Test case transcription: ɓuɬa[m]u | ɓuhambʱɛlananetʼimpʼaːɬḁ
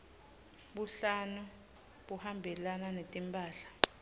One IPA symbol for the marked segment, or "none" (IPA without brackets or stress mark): n